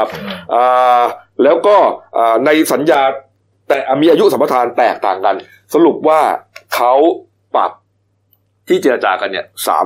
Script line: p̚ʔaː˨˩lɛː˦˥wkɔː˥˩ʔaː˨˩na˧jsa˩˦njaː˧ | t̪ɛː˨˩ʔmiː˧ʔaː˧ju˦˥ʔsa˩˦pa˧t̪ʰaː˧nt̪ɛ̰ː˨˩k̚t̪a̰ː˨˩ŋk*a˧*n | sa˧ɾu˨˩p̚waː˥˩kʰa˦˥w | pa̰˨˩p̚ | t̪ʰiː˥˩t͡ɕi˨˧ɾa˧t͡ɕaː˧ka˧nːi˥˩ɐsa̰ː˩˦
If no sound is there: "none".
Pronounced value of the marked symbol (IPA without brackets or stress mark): a˧